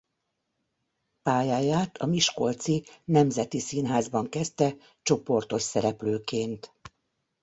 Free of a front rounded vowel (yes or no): no